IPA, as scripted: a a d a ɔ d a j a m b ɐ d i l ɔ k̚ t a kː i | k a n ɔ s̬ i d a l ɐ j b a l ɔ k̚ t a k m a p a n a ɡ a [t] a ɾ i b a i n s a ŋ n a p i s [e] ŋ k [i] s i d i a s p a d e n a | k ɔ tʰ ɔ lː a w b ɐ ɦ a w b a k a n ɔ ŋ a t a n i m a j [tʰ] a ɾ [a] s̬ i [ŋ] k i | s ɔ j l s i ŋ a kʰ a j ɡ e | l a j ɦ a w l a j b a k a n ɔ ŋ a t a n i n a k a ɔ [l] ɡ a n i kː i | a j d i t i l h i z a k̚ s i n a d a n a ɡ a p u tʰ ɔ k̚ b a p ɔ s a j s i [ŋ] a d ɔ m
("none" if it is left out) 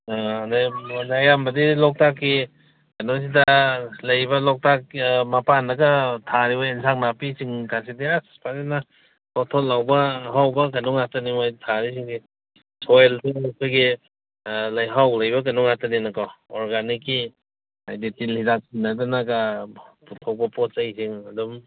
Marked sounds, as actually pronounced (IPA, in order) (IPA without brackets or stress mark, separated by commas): tʰ, i, a, tʰ, i, ŋ, ɾ, ŋ